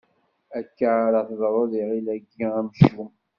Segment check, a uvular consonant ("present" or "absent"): present